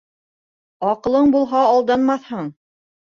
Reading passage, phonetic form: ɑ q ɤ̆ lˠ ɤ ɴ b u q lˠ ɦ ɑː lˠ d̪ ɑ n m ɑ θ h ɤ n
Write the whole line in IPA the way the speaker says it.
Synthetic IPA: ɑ q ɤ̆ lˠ ɤ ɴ b u lˠ ɦ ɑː lˠ d̪ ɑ n m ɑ θ h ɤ ɴ